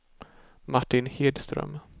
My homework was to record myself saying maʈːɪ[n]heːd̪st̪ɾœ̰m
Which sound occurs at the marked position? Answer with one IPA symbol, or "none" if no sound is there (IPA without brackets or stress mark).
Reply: n